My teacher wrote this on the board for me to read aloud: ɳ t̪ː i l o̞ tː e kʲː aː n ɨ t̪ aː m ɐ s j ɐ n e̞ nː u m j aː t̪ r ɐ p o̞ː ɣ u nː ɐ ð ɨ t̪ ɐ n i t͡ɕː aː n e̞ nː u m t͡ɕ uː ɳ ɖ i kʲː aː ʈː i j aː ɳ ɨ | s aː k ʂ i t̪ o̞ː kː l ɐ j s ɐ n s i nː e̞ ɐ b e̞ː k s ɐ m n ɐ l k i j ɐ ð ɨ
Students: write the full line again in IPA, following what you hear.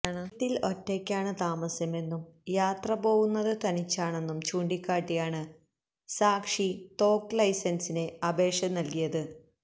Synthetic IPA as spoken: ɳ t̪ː i l o̞ tː e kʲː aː ɳ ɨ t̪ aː m ɐ s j ɐ m e̞ nː u m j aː t̪ r ɐ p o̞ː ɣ u nː ɐ ð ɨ t̪ ɐ n i t͡ɕː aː ɳ e̞ nː u m t͡ɕ uː ɳ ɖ i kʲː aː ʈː i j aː ɳ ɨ | s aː k ʂ i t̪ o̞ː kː l ɐ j s ɐ n s i n e̞ ɐ b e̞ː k ʂ ɐ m n ɐ l k i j ɐ ð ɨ